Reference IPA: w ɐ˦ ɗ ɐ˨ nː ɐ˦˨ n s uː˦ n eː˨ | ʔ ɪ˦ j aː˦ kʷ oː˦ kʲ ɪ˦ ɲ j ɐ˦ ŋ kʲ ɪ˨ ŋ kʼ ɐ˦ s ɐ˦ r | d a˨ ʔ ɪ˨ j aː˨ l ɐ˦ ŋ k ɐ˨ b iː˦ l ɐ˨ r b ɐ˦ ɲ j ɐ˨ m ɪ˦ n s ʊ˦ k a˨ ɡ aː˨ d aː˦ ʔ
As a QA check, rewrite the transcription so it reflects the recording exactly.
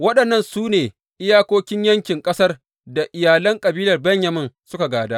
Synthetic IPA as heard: w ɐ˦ ɗ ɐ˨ nː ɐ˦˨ n s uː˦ n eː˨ | ʔ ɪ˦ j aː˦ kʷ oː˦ kʲ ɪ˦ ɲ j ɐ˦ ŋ kʲ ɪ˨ ŋ kʼ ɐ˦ s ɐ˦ r | d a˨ ʔ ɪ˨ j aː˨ l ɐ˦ ŋ kʼ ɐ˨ b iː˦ l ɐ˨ r b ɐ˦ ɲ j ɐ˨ m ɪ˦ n s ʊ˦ k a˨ ɡ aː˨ d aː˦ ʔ